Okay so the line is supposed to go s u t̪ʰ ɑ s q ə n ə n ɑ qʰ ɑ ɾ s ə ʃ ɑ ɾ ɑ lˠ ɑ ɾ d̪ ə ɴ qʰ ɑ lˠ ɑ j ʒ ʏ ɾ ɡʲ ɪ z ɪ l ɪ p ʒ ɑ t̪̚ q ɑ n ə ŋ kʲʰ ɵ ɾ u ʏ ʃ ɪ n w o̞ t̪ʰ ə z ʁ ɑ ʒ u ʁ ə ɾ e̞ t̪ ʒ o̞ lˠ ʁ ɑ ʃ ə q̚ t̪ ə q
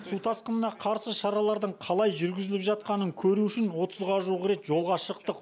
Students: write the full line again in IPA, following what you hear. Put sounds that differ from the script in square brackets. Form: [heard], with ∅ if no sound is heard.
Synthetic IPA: s u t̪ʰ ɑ s q ə n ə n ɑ qʰ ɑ ɾ s ə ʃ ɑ ɾ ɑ lˠ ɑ ɾ d̪ ə ɴ qʰ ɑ lˠ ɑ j ʒ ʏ ɾ ɡʲ ɪ z ɪ l ɪ p ʒ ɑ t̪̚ q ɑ n ə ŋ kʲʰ ɵ ɾ u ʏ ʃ ɪ n w o̞ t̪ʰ ə z ʁ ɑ ʒ u ʁ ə ɾ e̞ t̪ ʒ o̞ lˠ ʁ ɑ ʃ ə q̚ t̪ ə q